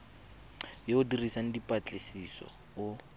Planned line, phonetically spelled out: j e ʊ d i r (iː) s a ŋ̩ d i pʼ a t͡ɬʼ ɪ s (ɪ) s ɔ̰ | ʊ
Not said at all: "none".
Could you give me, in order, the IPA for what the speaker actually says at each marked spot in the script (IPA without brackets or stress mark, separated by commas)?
i, i